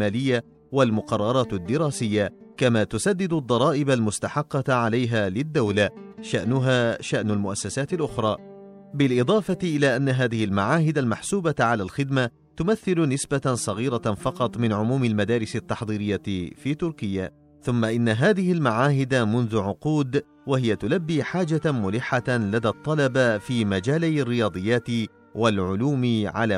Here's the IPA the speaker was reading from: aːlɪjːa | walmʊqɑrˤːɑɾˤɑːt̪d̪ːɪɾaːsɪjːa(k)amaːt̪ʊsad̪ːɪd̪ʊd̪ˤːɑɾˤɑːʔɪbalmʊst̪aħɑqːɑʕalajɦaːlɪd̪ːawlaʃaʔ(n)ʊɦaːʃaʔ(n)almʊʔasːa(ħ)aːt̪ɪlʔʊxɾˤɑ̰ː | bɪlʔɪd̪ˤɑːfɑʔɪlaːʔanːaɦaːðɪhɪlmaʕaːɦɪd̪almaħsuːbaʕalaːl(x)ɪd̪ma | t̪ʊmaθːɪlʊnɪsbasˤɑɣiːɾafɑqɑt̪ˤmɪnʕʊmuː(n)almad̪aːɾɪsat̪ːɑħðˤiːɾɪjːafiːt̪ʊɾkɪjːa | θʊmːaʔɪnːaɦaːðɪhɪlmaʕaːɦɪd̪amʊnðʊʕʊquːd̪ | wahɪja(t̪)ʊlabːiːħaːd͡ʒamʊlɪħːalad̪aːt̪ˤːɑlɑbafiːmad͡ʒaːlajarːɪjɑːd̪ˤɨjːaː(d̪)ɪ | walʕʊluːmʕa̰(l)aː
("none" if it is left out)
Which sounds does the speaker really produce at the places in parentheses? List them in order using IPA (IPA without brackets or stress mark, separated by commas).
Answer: k, n, n, s, x, m, t̪, t̪, l